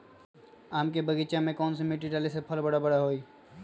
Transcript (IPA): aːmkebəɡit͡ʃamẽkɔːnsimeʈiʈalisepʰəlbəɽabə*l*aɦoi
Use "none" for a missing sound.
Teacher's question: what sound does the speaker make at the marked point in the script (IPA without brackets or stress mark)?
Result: ɽ